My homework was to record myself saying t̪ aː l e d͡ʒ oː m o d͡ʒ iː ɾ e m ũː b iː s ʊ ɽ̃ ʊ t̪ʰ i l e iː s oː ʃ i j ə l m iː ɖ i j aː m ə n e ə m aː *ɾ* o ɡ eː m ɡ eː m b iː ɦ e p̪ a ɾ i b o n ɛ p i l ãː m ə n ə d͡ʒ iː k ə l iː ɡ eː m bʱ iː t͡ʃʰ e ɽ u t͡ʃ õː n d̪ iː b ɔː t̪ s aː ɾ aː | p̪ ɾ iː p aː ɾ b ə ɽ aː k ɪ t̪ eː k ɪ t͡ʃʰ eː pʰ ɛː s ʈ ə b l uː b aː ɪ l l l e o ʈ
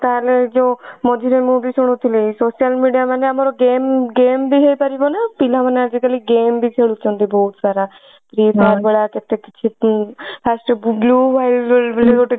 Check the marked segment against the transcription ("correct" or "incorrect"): correct